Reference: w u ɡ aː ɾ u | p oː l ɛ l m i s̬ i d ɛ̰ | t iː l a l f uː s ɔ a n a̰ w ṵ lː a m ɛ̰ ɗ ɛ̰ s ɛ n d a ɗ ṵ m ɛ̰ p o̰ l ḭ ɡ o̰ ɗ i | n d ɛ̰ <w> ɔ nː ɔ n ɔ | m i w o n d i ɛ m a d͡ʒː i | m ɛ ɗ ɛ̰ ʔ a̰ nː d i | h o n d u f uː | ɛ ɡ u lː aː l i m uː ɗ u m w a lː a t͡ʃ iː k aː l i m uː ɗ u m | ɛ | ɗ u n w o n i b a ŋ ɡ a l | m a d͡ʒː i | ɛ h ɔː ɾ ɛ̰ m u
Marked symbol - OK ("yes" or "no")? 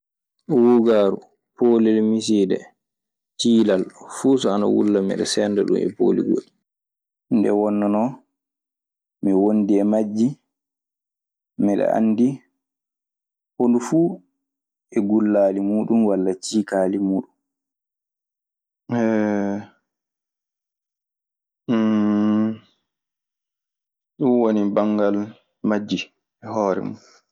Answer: yes